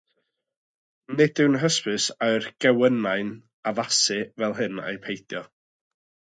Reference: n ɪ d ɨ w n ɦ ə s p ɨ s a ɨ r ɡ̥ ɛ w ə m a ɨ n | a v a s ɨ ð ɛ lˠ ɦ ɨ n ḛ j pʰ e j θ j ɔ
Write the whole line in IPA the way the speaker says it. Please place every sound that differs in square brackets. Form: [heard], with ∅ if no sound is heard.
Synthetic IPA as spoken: n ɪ d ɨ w n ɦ ə s p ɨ s a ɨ r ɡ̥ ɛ w ə [n] a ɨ n | a v a s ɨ [v] ɛ lˠ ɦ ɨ n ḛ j pʰ e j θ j ɔ